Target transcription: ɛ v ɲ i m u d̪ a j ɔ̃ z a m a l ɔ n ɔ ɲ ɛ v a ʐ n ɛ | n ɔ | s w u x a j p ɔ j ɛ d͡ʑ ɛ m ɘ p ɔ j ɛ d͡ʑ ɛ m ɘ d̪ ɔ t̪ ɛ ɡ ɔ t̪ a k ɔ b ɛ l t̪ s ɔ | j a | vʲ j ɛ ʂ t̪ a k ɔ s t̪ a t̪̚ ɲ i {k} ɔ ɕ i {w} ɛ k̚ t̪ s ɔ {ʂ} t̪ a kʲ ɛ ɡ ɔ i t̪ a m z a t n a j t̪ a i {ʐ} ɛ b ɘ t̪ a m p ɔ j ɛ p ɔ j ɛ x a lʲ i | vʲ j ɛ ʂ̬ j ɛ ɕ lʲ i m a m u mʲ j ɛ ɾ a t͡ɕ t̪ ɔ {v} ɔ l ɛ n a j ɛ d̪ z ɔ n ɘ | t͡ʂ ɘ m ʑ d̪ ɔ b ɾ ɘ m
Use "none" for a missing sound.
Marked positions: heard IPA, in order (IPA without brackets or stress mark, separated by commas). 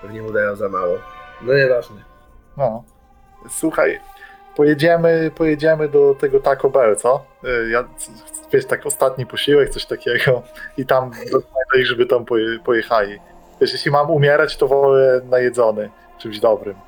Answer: p, w, ɕ, ʐ, v